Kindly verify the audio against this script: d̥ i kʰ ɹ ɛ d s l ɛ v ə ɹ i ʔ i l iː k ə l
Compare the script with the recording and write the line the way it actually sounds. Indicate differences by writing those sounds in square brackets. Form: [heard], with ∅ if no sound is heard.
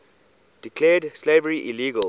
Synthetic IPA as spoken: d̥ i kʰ [l] ɛ d s l [e] v ə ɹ i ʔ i l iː [ɡ] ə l